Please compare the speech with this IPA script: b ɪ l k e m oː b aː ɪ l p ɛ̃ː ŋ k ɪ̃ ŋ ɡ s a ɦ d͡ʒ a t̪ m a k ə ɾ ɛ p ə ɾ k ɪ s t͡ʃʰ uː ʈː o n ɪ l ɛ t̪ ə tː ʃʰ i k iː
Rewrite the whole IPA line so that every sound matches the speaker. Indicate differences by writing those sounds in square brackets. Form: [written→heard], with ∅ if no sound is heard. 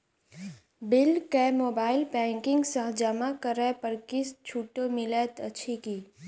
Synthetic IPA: b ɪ l k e m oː b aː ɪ l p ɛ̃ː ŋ k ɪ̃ ŋ ɡ s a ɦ d͡ʒ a [t̪→∅] m a k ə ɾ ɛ p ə ɾ k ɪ s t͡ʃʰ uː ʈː o [n→m] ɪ l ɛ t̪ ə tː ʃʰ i k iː